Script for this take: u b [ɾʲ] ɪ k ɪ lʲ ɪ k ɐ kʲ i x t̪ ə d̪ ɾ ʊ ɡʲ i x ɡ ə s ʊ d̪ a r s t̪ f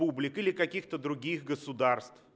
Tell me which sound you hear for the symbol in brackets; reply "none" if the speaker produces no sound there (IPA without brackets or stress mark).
lʲ